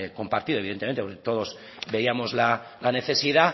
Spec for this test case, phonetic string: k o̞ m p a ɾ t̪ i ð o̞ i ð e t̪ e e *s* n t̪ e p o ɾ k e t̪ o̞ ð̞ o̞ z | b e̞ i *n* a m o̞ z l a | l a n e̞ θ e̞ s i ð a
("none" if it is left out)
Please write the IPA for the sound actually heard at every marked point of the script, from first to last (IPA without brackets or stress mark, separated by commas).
none, none